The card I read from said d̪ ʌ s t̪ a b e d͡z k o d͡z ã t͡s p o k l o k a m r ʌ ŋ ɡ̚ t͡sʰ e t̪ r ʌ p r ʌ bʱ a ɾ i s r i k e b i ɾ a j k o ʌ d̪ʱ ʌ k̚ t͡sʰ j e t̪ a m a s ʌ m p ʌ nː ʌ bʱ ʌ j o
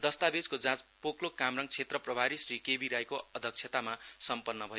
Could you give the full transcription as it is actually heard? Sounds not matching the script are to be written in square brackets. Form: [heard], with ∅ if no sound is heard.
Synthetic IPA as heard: d̪ ʌ s t̪ a b e d͡z k o d͡z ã t͡s p o k l o k a m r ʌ ŋ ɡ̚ t͡sʰ e t̪ r ʌ p r ʌ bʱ a ɾ i s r i k e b i ɾ a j k o ʌ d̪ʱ ʌ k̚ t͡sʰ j e t̪ a m a s ʌ m p ʌ nː ʌ bʱ ʌ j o